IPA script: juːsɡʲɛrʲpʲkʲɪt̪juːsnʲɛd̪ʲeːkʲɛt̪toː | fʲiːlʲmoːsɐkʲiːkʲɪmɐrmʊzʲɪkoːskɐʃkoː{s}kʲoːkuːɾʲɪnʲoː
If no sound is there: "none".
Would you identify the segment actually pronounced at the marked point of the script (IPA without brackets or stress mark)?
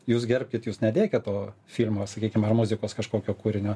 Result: none